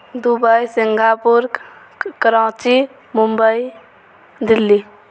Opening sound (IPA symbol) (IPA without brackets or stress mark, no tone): d̪